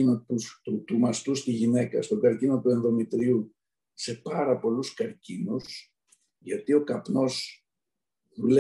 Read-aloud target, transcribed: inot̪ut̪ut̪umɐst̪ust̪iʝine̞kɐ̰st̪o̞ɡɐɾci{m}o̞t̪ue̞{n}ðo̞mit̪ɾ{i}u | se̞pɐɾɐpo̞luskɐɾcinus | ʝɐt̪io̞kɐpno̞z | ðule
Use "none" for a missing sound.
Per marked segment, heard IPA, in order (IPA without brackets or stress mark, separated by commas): n, n, i